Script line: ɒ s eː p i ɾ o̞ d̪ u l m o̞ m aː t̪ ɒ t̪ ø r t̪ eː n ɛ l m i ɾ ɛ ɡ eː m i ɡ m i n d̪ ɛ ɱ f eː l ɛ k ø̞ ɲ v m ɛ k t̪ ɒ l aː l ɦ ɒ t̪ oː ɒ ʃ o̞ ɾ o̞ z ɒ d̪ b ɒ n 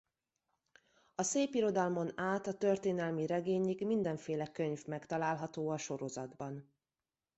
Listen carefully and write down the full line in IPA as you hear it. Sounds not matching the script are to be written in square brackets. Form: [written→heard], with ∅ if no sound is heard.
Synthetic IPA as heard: ɒ s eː p i ɾ o̞ d̪ [u→ɒ] l m o̞ [m→n] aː t̪ ɒ t̪ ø r t̪ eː n ɛ l m i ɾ ɛ ɡ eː [m→ɲ] i ɡ m i n d̪ ɛ ɱ f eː l ɛ k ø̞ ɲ v m ɛ k t̪ ɒ l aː l ɦ ɒ t̪ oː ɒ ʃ o̞ ɾ o̞ z ɒ d̪ b ɒ n